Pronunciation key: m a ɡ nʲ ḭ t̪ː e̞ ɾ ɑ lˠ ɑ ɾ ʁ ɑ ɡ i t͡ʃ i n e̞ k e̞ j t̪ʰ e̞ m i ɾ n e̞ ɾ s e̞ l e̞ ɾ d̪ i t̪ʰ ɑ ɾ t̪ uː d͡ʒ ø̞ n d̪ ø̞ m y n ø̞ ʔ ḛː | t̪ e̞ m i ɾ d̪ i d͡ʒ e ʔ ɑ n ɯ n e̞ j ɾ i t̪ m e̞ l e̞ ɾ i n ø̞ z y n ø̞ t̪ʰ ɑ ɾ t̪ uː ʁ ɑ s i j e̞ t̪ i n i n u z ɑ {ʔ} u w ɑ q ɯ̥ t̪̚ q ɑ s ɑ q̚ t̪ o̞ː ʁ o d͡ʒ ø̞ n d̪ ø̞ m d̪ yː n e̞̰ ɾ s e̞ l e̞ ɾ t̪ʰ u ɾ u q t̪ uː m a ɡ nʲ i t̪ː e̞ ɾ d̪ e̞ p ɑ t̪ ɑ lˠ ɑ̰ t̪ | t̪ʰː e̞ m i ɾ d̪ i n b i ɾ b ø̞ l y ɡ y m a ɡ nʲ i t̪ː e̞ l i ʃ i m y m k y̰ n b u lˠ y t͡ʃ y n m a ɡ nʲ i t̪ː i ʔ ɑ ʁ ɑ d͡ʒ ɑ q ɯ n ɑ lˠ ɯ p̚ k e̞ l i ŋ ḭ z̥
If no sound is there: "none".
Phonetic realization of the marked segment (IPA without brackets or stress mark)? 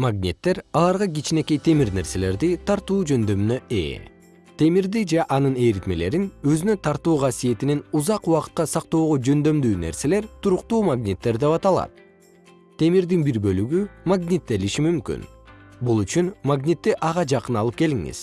q